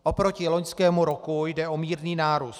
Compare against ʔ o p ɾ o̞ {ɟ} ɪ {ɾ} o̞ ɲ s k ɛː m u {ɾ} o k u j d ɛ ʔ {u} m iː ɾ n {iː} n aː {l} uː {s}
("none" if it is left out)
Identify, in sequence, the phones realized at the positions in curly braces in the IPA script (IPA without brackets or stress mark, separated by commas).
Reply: c, l, ɾ, o, iː, ɾ, s